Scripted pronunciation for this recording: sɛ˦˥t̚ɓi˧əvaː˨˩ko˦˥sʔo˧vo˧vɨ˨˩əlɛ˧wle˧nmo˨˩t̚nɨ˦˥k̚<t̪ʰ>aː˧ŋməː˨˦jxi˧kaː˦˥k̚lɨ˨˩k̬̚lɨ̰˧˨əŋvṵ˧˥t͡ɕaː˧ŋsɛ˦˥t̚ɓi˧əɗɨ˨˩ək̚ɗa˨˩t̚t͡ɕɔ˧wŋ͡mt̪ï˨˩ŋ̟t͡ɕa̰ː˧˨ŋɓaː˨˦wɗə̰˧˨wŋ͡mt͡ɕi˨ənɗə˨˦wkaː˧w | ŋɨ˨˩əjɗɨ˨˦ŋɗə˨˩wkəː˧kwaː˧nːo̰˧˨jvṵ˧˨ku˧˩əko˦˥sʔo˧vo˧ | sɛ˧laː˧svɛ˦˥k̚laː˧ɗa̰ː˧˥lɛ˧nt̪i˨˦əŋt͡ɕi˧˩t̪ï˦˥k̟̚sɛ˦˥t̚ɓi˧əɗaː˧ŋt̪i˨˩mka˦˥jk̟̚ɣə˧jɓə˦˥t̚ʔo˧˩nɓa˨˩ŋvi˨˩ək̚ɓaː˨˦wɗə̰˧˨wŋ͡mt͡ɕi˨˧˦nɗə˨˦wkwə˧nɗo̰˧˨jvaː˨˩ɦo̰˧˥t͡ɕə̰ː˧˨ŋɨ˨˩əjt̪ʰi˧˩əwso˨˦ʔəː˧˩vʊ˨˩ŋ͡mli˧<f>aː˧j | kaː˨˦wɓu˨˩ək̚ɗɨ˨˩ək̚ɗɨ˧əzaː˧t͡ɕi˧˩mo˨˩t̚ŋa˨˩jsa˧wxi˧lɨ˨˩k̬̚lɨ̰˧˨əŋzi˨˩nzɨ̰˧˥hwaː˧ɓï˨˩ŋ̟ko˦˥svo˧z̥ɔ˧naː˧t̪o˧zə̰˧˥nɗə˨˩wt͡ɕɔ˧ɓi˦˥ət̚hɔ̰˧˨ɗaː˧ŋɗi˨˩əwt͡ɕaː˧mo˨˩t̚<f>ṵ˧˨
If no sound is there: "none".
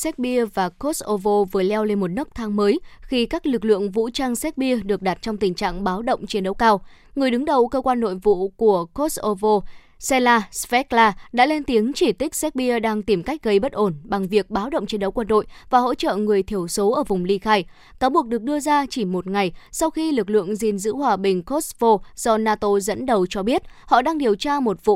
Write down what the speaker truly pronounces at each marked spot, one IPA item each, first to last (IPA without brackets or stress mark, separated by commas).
t̪ʰ, x, v